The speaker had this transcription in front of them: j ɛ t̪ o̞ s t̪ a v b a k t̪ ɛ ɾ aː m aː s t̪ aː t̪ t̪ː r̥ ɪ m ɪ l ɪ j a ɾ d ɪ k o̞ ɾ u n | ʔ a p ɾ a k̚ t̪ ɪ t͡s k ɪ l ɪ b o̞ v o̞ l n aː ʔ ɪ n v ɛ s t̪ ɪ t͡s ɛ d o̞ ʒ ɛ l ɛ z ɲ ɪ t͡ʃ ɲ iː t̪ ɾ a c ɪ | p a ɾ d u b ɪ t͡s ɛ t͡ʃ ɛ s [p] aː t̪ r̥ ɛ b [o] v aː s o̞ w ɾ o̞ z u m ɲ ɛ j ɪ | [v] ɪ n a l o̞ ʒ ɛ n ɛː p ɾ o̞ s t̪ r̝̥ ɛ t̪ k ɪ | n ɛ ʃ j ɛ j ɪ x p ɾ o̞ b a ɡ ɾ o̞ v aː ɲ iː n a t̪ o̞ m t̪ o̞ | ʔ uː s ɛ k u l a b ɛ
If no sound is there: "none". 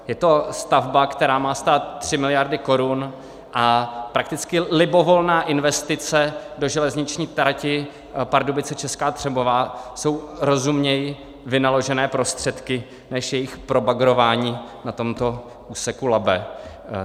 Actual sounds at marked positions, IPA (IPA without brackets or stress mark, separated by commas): k, o, v